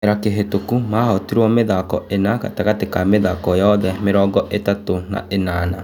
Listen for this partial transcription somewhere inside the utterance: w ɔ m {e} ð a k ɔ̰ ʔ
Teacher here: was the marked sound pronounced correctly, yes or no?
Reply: yes